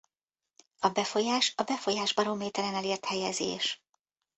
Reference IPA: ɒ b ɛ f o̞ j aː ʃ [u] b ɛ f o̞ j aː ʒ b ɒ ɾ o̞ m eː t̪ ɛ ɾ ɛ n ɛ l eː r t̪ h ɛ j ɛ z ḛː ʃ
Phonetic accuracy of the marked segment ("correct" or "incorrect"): incorrect